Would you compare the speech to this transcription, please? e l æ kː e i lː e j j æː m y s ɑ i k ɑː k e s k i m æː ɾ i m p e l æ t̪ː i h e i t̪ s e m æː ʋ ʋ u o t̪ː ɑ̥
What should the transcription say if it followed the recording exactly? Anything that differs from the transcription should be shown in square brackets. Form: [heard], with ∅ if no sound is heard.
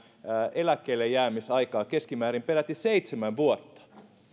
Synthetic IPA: e l æ kː e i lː e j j æː m [i] s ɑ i k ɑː k e s k i m æː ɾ i m p e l æ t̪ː i [s] e i t̪ s e m [æ] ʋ ʋ u o t̪ː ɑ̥